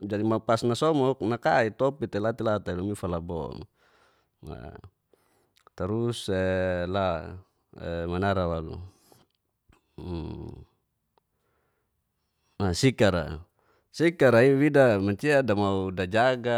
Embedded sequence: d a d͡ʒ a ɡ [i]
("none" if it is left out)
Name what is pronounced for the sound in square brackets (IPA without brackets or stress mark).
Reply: a